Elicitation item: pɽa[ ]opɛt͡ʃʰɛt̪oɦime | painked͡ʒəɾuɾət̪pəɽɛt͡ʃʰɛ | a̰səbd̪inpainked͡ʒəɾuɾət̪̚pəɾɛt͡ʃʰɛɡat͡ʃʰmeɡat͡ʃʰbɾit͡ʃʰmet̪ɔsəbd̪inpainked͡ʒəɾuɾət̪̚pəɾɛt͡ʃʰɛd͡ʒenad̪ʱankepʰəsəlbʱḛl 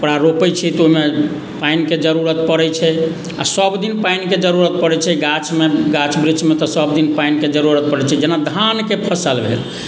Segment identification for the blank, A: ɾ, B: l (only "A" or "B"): A